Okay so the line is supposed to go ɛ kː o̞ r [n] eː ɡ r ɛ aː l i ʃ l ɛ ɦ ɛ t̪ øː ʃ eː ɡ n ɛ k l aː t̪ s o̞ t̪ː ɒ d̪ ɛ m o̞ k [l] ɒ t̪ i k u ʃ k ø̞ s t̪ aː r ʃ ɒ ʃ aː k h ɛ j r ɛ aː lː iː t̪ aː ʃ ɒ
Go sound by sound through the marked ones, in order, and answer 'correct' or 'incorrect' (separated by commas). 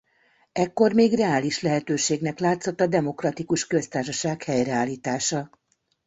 incorrect, incorrect